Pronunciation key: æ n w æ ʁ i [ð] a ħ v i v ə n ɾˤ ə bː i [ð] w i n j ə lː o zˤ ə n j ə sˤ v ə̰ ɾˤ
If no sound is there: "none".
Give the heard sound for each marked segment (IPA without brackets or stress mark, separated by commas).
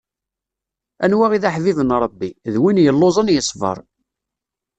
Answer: ð, ð